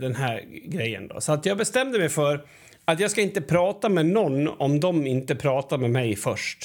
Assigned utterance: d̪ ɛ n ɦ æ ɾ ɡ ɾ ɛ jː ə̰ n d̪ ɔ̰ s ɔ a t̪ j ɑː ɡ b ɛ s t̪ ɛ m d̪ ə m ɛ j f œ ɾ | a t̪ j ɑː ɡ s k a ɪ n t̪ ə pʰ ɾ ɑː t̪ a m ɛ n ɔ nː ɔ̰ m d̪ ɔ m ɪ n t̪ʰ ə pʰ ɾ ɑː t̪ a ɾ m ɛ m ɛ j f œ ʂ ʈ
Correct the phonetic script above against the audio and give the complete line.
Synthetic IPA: d̪ ɛ n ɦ æ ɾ ɡ ɾ ɛ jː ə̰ n d̪ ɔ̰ s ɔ a t̪ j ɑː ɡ b ɛ s t̪ ɛ m d̪ ə m ɛ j f œ ɾ | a t̪ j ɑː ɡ s k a ɪ n t̪ ə pʰ ɾ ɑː t̪ a m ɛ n ɔ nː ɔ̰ m d̪ ɔ m ɪ n t̪ ə pʰ ɾ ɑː t̪ a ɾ m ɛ m ɛ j f œ ʂ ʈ